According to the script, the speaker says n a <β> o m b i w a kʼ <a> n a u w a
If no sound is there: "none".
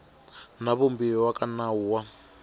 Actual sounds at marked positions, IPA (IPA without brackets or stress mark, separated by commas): β, a